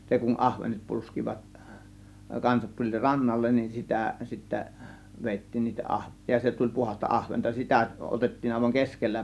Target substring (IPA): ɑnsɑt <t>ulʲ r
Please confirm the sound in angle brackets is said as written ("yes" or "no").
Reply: yes